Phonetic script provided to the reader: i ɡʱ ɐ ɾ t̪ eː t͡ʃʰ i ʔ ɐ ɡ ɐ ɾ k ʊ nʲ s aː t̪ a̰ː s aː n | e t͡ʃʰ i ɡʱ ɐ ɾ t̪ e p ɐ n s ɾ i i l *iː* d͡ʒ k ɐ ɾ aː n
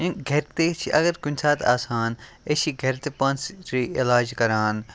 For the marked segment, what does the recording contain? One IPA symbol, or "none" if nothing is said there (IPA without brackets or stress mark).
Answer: aː